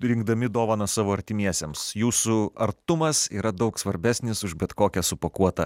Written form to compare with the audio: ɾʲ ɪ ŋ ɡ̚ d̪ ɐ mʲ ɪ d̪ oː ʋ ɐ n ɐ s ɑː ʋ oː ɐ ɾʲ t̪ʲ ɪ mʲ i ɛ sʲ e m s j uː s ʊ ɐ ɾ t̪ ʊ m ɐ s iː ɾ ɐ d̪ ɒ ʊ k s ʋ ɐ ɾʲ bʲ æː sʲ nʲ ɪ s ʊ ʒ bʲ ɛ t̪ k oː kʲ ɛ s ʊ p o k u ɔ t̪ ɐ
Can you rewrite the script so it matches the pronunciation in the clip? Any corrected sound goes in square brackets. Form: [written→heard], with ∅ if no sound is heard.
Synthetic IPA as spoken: ɾʲ ɪ ŋ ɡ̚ d̪ ɐ mʲ ɪ d̪ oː ʋ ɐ n ɐ s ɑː ʋ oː ɐ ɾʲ t̪ʲ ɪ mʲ i ɛ sʲ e m s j uː s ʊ ɐ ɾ t̪ ʊ m ɐ s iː ɾ ɐ d̪ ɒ ʊ k s ʋ ɐ ɾʲ bʲ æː sʲ nʲ ɪ s ʊ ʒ bʲ ɛ t̪ k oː kʲ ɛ s ʊ p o k u ɔ t̪ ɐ